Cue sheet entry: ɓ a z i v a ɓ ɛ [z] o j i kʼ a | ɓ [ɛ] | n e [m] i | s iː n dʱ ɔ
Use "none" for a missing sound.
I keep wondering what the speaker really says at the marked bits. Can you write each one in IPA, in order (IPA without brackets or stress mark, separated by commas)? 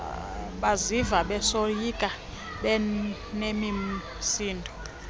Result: s, ɛ, m